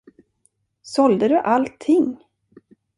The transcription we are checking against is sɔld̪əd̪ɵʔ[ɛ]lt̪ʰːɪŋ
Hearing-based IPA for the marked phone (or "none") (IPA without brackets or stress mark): a